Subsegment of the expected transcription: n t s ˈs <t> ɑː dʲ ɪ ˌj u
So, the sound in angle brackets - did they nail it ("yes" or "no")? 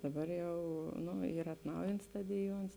yes